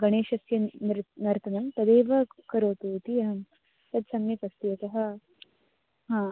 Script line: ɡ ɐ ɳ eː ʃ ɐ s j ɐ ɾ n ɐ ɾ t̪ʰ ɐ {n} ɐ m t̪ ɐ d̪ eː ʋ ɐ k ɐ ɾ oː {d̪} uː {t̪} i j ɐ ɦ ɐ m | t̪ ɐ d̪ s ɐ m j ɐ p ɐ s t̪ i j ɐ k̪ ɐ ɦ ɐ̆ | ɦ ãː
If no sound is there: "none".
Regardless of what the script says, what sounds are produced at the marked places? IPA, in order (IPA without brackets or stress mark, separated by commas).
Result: n, t̪, t̪